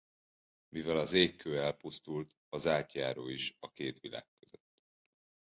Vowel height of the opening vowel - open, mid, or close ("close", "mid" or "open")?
close